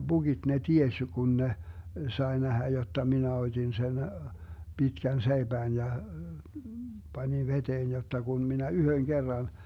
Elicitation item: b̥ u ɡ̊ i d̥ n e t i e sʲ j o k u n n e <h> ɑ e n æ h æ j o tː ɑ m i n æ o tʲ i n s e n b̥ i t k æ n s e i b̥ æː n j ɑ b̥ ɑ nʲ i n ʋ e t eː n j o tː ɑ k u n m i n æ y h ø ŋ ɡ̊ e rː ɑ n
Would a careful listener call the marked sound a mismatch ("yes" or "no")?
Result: yes